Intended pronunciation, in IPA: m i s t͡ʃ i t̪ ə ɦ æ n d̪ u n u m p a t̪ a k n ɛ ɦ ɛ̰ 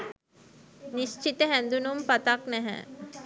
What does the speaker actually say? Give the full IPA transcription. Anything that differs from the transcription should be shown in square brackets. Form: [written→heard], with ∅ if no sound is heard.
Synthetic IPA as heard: [m→n] i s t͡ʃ i t̪ ə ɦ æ n d̪ u n u m p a t̪ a k n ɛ ɦ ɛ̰